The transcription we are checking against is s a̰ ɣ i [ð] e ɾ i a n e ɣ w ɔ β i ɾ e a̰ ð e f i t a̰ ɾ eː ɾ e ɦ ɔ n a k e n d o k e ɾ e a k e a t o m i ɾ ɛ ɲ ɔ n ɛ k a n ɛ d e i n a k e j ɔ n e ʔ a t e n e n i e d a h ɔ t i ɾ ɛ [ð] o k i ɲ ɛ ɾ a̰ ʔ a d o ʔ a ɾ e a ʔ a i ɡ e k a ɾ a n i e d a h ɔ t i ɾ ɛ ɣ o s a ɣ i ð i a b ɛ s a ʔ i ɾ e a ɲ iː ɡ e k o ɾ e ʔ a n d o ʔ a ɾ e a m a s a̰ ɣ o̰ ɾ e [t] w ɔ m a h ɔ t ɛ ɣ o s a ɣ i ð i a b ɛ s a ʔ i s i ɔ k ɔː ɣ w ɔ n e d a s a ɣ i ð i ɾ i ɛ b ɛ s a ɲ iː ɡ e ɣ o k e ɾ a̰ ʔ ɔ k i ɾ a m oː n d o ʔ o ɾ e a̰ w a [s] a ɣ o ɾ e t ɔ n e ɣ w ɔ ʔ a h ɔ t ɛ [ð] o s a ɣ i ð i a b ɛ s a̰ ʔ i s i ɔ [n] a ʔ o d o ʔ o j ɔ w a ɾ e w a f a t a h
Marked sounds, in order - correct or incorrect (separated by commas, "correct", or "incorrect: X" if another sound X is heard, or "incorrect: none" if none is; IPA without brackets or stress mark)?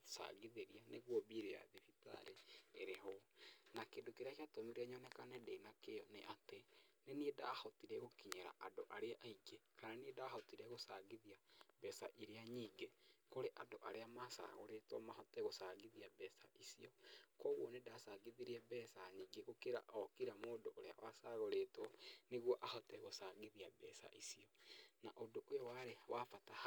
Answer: correct, incorrect: ɣ, correct, correct, incorrect: ɣ, correct